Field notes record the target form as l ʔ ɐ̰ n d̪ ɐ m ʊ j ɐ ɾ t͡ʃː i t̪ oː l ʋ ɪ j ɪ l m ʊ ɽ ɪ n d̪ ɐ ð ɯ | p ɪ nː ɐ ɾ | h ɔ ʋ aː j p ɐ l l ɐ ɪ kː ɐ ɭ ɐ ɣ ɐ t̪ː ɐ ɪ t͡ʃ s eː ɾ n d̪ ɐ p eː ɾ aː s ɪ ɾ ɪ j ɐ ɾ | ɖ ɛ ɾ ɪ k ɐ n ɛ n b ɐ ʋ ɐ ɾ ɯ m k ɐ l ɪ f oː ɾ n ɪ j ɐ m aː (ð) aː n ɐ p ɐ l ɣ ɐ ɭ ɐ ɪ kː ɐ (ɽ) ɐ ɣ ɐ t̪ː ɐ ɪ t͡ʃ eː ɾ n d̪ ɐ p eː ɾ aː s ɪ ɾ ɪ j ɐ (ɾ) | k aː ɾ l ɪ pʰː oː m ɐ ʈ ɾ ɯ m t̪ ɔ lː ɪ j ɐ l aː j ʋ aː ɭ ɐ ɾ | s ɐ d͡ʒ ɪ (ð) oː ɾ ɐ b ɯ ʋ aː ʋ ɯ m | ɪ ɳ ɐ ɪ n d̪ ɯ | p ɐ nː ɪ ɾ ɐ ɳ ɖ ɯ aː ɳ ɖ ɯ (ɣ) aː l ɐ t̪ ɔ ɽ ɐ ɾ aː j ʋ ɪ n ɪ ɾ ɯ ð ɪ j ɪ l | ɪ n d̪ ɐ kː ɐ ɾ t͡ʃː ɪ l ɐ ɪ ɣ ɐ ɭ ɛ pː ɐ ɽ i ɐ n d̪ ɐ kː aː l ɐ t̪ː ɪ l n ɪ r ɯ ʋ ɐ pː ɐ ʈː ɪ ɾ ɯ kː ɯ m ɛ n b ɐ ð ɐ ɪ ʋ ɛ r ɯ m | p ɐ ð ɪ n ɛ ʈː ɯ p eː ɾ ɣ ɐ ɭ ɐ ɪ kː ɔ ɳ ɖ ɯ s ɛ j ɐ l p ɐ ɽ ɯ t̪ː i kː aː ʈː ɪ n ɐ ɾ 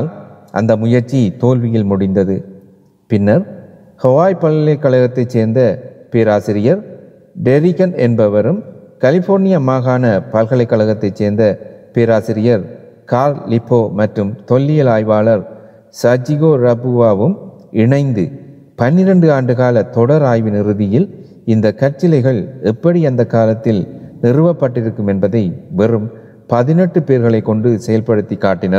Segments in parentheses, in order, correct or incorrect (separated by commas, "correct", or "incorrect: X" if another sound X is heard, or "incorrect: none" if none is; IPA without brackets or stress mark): incorrect: ɣ, incorrect: ɭ, correct, incorrect: ɣ, correct